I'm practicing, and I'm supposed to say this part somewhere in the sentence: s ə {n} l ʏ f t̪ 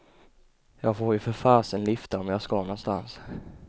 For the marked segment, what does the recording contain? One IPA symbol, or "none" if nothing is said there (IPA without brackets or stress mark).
n